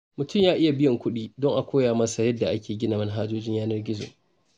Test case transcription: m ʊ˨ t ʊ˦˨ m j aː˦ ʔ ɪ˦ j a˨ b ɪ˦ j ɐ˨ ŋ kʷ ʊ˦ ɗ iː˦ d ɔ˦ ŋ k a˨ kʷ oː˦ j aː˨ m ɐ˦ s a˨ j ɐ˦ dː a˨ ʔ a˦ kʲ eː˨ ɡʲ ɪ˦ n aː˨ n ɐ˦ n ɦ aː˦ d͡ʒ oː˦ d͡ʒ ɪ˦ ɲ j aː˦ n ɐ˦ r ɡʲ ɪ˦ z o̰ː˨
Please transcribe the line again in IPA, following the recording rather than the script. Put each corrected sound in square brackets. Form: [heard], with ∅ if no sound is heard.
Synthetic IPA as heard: m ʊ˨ t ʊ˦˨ m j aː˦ ʔ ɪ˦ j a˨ b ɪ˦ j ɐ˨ ŋ kʷ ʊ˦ ɗ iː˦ d ɔ˦ ŋ [ʔ] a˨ kʷ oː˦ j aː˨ m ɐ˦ s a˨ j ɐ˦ dː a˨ ʔ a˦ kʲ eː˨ ɡʲ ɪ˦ n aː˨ [m] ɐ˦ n ɦ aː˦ d͡ʒ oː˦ d͡ʒ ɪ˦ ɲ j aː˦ n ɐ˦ r ɡʲ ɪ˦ z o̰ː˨